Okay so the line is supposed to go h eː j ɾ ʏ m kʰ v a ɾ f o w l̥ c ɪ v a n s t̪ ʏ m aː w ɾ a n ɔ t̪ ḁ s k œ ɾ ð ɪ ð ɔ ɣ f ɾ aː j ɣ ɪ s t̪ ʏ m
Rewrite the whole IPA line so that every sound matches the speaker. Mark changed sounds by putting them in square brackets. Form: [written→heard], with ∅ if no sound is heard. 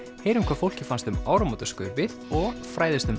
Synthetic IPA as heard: h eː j ɾ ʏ m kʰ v a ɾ f o w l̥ c ɪ [v→f] a n s t̪ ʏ m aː w ɾ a [n→m] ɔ t̪ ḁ s k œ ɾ [ð→v] ɪ ð ɔ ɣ f ɾ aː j [ɣ→ð] ɪ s t̪ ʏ m